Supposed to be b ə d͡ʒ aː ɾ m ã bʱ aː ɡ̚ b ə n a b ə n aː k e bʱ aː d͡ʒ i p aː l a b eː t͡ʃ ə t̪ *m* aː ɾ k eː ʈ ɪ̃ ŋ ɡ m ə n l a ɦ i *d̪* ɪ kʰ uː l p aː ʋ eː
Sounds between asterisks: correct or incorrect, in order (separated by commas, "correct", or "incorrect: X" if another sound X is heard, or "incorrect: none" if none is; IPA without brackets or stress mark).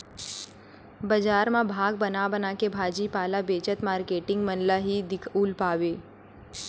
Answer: correct, correct